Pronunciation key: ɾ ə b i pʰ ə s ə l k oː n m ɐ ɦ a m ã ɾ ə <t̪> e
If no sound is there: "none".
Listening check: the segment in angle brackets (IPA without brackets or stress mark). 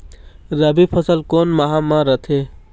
t̪ʰ